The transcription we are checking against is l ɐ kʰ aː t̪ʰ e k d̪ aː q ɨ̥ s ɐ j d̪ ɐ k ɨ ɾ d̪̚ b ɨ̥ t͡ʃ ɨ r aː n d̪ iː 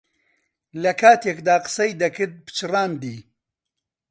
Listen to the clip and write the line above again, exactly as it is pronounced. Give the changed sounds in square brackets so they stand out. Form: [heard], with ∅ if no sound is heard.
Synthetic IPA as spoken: l ɐ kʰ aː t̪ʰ e k d̪ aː q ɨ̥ s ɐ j d̪ ɐ k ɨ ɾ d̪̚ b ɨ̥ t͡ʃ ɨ r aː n d̪ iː